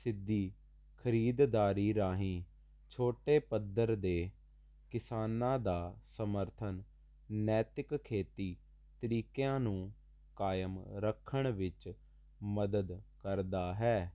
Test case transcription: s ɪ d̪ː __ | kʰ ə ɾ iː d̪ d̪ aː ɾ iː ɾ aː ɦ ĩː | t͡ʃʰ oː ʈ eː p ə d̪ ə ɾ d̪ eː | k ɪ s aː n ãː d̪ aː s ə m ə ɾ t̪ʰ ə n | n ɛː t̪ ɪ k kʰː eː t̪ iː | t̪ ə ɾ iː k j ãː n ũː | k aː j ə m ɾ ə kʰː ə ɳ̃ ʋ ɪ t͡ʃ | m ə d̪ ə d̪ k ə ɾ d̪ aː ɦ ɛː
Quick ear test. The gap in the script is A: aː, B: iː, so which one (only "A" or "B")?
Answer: B